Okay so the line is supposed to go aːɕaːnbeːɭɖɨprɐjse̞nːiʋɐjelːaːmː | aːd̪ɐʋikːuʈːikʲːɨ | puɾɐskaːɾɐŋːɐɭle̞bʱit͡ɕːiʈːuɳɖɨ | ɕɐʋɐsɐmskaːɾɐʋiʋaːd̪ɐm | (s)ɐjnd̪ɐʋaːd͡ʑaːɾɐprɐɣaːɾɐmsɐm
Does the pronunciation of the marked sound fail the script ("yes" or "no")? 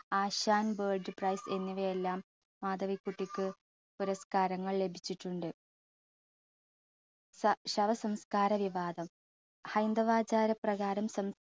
yes